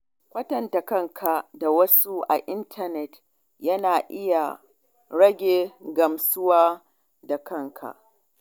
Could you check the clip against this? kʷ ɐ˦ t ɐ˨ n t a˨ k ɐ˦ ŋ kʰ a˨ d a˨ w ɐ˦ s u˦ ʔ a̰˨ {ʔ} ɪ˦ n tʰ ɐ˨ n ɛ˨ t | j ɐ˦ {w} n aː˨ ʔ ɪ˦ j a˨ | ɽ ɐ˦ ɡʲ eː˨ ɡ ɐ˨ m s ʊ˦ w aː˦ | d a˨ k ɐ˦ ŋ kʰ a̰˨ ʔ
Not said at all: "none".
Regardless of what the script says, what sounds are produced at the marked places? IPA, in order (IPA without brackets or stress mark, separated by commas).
ʔ, none